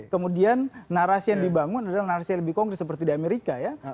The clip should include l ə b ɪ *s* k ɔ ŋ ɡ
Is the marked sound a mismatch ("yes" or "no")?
yes